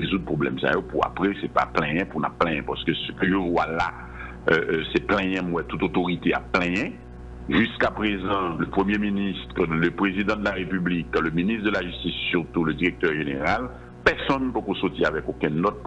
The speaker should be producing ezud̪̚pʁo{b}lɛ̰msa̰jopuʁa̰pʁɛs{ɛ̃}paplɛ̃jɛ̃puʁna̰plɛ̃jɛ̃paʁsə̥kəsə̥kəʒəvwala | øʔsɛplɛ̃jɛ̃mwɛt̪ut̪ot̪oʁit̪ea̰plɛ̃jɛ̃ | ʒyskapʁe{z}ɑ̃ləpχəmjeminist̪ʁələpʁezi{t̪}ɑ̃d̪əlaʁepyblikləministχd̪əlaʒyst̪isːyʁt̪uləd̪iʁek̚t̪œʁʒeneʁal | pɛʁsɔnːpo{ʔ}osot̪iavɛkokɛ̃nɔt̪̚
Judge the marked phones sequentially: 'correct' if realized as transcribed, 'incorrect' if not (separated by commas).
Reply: correct, incorrect, correct, incorrect, incorrect